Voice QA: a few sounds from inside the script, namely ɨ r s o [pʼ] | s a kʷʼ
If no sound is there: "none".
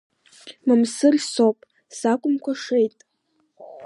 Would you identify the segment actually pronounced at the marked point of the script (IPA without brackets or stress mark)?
pʼ